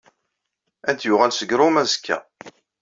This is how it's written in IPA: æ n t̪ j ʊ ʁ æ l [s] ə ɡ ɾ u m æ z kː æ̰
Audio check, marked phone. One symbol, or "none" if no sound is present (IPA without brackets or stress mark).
s